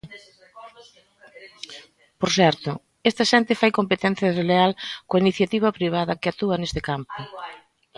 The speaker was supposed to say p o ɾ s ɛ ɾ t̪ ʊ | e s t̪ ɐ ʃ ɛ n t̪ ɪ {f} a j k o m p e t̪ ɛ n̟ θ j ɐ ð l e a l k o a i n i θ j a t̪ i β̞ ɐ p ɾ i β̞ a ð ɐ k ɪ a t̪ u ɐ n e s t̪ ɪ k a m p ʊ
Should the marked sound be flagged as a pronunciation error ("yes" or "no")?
no